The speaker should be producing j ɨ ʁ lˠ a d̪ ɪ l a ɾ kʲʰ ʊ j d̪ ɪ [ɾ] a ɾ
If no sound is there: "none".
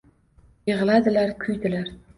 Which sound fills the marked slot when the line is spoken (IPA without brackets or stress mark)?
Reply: l